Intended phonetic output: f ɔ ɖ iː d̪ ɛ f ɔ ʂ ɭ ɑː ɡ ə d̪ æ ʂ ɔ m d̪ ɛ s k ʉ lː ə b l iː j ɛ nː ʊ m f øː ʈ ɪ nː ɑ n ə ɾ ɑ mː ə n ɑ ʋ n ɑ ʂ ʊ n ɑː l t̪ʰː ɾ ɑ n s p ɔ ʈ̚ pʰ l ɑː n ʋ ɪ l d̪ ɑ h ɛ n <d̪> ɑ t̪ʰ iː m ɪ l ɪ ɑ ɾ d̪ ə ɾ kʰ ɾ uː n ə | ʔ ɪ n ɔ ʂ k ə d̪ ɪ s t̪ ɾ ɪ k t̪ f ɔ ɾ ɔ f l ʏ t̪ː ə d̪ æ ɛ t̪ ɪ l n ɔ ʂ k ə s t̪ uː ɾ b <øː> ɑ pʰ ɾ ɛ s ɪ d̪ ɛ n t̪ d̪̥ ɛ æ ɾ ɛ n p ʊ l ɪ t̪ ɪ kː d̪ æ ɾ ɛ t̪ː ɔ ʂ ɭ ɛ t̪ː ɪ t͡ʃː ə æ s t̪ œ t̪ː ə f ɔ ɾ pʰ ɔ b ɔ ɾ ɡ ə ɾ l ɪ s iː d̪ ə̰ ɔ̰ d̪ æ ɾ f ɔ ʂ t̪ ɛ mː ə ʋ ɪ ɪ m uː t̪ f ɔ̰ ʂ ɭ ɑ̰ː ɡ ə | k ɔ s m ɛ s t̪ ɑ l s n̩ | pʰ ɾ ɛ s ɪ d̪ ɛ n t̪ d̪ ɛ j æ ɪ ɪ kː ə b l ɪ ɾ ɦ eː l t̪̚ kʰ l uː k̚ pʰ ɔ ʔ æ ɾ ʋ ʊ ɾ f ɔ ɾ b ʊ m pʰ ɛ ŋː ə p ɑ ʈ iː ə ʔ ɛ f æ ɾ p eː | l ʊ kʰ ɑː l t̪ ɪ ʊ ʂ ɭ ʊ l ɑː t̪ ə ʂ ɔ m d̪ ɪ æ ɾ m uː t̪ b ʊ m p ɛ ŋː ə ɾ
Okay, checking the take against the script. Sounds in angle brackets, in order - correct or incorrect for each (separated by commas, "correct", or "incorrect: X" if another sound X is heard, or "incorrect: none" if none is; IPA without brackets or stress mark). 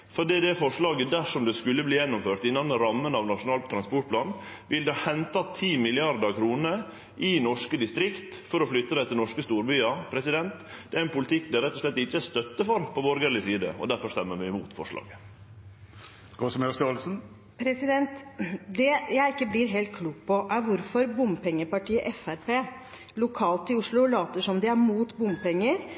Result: incorrect: t̪, incorrect: yː